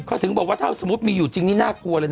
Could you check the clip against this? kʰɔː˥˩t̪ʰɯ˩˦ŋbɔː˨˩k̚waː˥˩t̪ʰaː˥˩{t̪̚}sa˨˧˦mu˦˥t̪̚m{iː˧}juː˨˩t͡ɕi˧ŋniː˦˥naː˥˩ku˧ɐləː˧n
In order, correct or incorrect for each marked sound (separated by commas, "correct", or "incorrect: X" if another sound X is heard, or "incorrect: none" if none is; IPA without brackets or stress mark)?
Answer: incorrect: none, correct